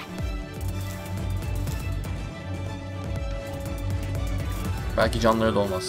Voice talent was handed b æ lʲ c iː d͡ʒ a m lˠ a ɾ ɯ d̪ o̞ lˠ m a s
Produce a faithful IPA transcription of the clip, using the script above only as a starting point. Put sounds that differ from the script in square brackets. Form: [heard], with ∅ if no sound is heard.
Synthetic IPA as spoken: b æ lʲ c [i] d͡ʒ a [n] lˠ a ɾ ɯ d̪ o̞ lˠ m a s